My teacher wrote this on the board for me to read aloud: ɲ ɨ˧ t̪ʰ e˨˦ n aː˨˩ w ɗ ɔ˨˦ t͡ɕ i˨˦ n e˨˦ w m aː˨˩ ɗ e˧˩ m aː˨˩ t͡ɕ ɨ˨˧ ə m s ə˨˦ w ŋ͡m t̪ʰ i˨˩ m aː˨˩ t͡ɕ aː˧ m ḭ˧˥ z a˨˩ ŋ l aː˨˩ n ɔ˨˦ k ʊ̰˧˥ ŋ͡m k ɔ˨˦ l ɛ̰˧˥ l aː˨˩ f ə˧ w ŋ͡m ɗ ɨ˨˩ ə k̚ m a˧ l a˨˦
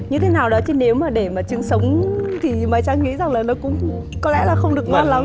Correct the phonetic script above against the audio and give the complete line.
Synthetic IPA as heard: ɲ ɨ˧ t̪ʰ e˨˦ n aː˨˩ w ɗ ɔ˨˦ t͡ɕ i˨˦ n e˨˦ w m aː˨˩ ɗ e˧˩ m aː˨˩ t͡ɕ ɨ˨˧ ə ŋ s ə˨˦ w ŋ͡m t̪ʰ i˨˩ m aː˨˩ t͡ɕ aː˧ ŋ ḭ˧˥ z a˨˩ ŋ l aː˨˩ n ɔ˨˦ k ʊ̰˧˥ ŋ͡m k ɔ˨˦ l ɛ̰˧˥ l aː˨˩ x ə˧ w ŋ͡m ɗ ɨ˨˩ ə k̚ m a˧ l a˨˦